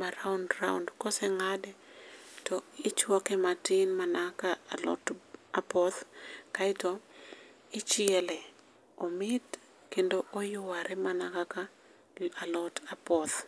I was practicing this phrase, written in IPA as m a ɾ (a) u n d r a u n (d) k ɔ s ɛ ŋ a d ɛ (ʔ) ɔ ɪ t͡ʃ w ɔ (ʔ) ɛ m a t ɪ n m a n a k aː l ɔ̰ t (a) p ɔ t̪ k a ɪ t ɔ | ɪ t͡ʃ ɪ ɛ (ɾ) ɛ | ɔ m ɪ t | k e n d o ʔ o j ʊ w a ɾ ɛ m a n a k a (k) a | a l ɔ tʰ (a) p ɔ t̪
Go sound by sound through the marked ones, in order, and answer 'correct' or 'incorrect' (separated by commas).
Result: correct, correct, incorrect, incorrect, correct, incorrect, correct, correct